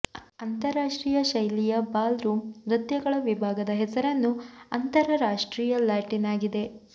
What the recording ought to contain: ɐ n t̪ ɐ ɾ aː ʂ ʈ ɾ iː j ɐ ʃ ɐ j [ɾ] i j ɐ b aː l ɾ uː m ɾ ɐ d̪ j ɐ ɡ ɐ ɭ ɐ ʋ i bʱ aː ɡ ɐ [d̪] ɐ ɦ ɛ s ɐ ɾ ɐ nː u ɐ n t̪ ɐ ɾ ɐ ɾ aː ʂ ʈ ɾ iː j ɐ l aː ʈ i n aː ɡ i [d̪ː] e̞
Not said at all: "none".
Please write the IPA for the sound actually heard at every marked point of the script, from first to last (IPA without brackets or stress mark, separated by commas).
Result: l, d̪, d̪